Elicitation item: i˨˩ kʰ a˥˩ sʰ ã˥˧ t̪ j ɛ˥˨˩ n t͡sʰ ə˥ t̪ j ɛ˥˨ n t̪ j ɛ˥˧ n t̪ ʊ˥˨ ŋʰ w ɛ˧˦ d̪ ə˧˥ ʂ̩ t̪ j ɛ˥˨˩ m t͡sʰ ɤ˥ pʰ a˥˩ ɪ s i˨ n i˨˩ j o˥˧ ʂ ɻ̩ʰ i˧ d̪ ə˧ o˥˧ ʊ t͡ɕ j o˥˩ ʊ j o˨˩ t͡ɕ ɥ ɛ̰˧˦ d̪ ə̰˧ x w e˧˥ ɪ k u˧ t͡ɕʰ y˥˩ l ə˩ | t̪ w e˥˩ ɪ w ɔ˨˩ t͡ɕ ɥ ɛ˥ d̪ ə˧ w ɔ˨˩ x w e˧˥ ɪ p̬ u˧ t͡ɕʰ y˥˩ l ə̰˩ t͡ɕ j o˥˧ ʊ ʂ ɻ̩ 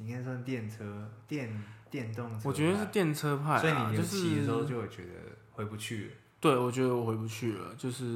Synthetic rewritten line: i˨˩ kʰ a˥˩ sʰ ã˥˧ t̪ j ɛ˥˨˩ n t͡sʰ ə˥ t̪ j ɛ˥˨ n t̪ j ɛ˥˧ n t̪ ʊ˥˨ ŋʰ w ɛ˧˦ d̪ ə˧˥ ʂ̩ t̪ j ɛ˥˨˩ n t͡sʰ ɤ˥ pʰ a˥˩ ɪ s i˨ n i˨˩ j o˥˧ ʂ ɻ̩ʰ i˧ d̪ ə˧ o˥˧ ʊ t͡ɕ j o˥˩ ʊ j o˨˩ t͡ɕ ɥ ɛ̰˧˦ d̪ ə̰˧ x w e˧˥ ɪ p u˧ t͡ɕʰ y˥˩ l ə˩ | t̪ w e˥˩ ɪ w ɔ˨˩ t͡ɕ ɥ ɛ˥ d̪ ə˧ w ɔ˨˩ x w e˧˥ ɪ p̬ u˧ t͡ɕʰ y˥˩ l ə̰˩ t͡ɕ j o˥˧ ʊ ʂ ɻ̩